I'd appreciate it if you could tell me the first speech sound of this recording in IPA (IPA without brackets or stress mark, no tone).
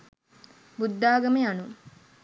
b